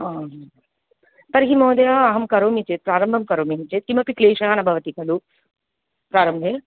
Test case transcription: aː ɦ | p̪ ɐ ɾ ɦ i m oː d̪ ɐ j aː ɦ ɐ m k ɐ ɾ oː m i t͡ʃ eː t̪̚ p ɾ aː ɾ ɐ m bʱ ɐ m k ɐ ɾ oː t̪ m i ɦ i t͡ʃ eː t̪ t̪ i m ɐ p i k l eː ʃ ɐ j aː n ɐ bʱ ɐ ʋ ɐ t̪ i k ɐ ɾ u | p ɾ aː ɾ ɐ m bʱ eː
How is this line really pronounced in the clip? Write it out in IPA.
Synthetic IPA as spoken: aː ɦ | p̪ ɐ ɾ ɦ i m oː d̪ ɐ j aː ɦ ɐ m k ɐ ɾ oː m i t͡ʃ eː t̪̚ p ɾ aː ɾ ɐ m bʱ ɐ m k ɐ ɾ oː m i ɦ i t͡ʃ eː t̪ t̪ i m ɐ p i k l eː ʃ ɐ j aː n ɐ bʱ ɐ ʋ ɐ t̪ i k ɐ l u | p ɾ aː ɾ ɐ m bʱ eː

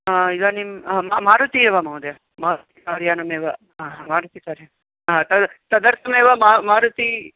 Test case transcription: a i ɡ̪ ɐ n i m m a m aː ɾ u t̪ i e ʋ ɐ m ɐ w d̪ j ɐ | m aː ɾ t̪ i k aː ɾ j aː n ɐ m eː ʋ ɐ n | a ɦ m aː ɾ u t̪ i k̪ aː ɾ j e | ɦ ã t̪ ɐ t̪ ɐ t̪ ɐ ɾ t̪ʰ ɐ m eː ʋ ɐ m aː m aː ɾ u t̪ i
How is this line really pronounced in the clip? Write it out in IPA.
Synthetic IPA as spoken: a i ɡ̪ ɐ n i m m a m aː ɾ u t̪ i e ʋ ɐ m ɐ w d̪ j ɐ | m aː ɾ t̪ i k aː ɾ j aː n ɐ m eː ʋ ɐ | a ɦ m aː ɾ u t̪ i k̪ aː ɾ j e | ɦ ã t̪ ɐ t̪ ɐ d̪ ɐ ɾ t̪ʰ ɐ m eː ʋ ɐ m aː m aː ɾ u t̪ i

